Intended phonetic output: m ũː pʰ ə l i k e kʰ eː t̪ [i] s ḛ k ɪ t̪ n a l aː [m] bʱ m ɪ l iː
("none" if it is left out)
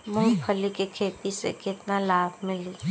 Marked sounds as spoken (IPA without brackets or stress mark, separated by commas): i, none